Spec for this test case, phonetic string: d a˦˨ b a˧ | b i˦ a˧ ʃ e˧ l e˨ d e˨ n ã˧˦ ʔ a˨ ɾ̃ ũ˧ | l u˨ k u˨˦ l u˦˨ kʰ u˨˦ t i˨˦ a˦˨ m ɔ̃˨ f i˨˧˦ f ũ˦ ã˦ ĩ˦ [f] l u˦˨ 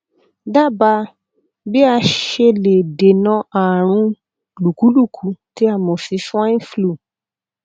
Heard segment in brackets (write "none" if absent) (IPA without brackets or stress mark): f